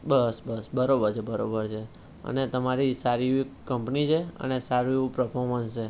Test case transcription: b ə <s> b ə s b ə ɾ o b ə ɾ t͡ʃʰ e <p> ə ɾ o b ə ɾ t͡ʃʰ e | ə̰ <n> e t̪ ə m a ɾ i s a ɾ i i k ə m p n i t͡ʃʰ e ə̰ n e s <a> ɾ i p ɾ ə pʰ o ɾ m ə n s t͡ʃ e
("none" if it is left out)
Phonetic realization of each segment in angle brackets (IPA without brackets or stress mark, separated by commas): s, b, n, a